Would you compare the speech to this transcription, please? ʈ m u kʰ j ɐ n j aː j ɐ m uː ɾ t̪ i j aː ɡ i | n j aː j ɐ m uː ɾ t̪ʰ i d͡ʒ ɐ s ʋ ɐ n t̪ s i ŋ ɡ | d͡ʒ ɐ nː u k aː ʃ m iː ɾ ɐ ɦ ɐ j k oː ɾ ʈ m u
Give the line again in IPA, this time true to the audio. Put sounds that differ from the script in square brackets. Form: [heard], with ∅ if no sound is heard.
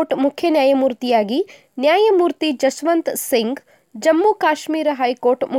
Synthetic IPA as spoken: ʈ m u kʰ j ɐ n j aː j ɐ m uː ɾ t̪ i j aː ɡ i | n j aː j ɐ m uː ɾ [t̪] i d͡ʒ ɐ s ʋ ɐ n t̪ s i ŋ ɡ | d͡ʒ ɐ [mː] u k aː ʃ m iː ɾ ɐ ɦ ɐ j k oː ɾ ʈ m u